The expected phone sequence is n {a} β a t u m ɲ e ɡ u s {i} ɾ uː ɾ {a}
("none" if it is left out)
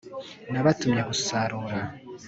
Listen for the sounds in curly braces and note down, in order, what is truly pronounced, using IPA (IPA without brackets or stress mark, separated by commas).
a, a, a